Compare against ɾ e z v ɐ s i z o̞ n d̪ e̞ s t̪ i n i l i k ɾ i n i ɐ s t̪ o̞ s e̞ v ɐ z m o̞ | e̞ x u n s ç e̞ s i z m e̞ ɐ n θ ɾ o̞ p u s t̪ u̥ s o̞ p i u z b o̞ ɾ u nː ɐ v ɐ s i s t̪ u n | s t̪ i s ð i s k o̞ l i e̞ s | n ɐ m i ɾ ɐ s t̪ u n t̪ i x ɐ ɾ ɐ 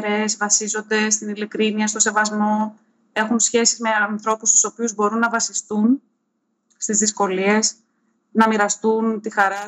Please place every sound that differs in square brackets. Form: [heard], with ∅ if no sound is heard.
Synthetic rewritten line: ɾ e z v ɐ s i z o̞ n d̪ e̞ s t̪ i n i l i k ɾ i n i ɐ s t̪ o̞ s e̞ v ɐ z m o̞ | e̞ x u n s ç e̞ s i z m e̞ ɐ n θ ɾ o̞ p u s t̪ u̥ s o̞ p i u z b o̞ ɾ u nː ɐ v ɐ s i s t̪ u n | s t̪ i [z] ð i s k o̞ l i e̞ s | n ɐ m i ɾ ɐ s t̪ u n t̪ i x ɐ ɾ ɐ